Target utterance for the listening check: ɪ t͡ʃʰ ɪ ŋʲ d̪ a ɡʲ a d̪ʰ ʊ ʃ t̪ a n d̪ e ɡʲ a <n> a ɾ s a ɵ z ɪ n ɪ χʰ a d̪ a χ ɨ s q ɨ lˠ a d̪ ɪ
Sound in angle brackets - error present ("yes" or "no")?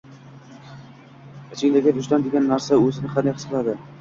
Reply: yes